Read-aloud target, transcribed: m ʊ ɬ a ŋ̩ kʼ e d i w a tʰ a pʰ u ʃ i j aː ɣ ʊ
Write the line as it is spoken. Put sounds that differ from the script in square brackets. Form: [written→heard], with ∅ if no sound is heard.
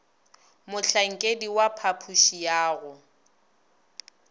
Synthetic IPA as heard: m ʊ ɬ a ŋ̩ kʼ e d i w a [tʰ→pʰ] a pʰ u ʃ i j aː ɣ ʊ